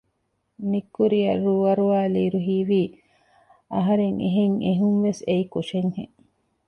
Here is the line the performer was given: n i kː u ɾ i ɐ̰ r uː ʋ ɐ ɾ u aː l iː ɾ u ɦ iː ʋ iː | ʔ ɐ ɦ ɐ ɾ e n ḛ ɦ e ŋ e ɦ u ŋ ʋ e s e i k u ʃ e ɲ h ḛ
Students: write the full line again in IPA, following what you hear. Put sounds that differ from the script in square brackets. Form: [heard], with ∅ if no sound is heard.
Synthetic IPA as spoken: n i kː u ɾ i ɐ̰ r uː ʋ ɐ ɾ u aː l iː ɾ u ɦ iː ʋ iː | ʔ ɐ ɦ ɐ ɾ e [ŋ] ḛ ɦ e ŋ e ɦ u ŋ ʋ e s e i k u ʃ e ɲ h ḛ